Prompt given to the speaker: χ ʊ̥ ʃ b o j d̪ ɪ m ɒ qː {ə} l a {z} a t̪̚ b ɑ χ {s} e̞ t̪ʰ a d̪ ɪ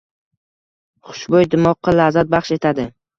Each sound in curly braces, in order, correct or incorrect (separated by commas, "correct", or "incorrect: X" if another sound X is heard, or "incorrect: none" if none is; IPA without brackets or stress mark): incorrect: ɑ, correct, incorrect: ʃ